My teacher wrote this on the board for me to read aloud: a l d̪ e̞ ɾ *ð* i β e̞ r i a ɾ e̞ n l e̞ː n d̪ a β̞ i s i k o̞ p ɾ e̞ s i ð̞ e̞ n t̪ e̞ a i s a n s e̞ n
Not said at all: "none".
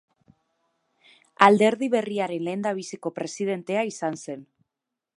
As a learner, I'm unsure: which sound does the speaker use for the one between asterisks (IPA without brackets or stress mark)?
ð